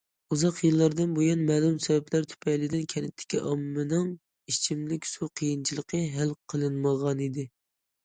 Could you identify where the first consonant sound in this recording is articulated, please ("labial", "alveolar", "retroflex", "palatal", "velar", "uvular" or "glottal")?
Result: alveolar